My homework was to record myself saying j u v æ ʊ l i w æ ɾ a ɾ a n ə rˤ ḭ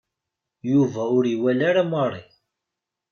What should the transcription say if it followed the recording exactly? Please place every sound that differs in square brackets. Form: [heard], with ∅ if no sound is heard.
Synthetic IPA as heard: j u v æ ʊ [ɾ] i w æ [l] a ɾ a [m] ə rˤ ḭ